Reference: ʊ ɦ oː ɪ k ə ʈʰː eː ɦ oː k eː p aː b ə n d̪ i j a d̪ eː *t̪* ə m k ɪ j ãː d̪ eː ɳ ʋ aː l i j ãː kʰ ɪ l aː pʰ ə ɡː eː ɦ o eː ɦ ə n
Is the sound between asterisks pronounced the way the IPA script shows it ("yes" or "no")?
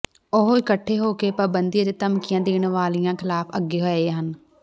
yes